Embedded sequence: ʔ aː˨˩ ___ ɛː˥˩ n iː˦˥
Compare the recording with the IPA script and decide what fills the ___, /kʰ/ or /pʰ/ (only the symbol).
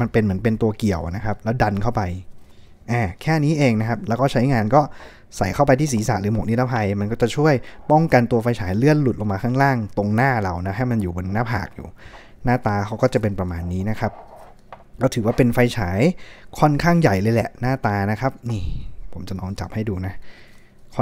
kʰ